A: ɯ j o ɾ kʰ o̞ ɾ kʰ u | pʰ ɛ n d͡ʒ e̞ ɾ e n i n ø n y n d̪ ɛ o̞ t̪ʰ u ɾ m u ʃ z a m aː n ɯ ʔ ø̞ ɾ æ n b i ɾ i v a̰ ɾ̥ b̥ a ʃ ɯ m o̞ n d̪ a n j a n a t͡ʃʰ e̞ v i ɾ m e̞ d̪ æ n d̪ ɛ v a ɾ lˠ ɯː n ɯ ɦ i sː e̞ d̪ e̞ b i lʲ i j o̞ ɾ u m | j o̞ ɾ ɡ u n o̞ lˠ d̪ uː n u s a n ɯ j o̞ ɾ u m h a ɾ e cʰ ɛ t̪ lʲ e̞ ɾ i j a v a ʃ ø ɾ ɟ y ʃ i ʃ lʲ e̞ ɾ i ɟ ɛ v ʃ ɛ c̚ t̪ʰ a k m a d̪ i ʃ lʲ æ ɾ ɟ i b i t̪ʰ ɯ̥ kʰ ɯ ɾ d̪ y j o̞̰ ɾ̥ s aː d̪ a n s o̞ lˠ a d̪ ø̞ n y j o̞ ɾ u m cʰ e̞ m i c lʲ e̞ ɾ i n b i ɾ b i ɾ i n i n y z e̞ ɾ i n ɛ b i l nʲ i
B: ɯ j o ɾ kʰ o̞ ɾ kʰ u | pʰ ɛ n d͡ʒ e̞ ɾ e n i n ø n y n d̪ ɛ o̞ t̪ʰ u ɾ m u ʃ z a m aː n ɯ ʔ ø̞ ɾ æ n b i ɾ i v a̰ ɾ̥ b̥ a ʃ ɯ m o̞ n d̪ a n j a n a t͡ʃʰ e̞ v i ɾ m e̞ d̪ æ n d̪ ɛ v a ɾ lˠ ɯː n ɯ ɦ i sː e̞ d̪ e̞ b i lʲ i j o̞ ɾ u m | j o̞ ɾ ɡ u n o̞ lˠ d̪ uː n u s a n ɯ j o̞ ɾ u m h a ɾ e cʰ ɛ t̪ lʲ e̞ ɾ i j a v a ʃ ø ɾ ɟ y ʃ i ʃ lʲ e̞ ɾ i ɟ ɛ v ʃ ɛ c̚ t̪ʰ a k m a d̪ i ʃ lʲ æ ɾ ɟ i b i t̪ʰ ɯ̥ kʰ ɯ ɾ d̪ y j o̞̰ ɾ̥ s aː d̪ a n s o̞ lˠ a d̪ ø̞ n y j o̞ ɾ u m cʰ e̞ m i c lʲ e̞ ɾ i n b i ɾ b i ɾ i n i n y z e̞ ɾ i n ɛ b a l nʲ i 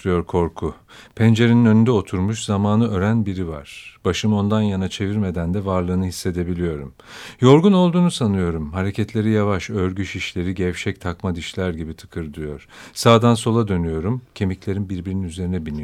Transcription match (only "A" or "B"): A